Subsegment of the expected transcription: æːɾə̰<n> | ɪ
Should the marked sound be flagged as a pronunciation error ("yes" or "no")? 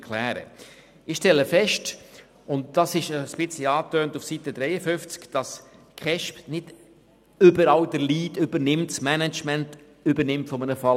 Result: yes